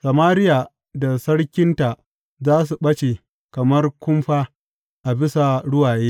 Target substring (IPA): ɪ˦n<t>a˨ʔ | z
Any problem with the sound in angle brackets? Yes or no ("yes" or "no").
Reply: no